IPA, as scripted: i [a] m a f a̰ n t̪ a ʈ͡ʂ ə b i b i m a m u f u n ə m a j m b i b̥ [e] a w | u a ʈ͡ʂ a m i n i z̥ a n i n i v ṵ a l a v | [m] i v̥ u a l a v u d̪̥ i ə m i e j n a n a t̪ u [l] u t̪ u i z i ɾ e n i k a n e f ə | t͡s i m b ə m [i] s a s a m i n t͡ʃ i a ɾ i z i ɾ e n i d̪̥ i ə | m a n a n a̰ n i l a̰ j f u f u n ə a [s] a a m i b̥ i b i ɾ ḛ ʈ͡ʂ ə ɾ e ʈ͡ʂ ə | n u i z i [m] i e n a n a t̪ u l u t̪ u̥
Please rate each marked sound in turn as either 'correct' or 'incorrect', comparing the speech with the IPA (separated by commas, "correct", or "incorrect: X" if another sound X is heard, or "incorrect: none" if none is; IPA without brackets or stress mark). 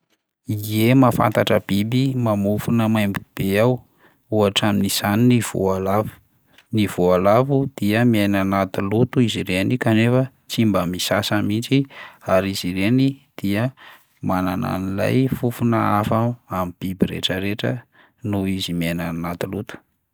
incorrect: e, correct, incorrect: n, correct, correct, incorrect: f, correct